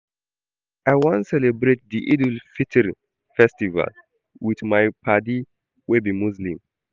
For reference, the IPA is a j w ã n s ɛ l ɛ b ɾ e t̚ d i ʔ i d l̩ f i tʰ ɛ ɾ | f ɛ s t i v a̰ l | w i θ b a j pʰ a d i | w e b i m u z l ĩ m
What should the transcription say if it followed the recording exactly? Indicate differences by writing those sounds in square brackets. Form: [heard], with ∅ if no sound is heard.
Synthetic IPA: a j w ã n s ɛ l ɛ b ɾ e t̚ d i ʔ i d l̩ f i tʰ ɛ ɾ | f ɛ s t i v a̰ l | w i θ [m] a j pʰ a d i | w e b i m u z l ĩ m